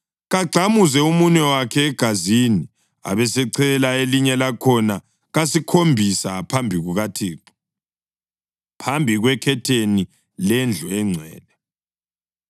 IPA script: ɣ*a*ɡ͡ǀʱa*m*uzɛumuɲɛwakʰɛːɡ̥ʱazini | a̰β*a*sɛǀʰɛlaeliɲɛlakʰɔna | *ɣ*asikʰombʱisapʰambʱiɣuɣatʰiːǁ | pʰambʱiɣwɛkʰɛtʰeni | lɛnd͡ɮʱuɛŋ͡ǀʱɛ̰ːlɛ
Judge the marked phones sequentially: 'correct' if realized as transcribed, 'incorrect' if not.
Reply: correct, correct, incorrect: ɛ, correct

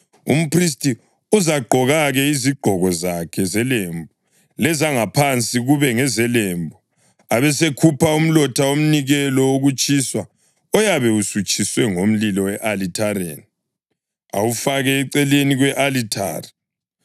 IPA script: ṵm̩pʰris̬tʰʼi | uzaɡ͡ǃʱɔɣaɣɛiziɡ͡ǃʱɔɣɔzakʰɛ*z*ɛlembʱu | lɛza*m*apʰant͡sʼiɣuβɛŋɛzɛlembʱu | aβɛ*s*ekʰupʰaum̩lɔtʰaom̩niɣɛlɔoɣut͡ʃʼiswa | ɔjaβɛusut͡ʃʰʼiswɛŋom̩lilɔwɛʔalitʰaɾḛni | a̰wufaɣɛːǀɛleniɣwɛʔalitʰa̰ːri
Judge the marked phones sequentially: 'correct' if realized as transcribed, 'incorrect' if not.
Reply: correct, incorrect: ŋ, correct

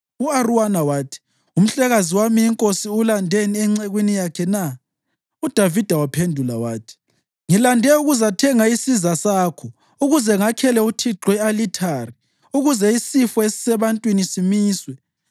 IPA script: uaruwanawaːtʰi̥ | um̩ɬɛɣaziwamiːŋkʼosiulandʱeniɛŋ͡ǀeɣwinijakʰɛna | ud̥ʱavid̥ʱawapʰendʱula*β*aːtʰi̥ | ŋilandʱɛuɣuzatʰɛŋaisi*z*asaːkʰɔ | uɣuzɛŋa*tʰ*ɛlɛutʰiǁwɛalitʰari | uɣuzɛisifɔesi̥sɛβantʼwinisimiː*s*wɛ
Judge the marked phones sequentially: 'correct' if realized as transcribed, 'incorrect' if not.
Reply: incorrect: w, correct, incorrect: kʰ, correct

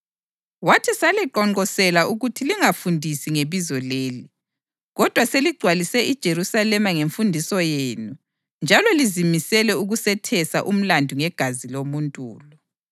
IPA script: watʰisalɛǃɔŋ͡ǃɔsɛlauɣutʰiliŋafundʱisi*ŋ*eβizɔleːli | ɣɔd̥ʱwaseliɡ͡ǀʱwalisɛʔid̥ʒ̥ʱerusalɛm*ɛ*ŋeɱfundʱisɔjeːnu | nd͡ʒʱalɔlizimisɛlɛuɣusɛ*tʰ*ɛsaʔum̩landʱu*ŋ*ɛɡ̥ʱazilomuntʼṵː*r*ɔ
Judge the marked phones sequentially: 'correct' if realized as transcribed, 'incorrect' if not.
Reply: correct, incorrect: a, correct, correct, incorrect: l

